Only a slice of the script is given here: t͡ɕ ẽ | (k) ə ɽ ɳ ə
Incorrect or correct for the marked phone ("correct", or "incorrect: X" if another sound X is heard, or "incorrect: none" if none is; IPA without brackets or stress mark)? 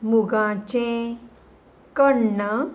correct